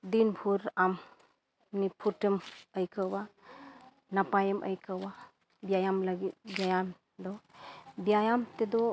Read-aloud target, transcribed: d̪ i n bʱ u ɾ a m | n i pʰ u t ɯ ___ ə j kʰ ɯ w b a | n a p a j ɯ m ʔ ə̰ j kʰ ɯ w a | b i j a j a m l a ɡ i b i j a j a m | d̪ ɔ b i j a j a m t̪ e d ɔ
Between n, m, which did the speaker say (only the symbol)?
m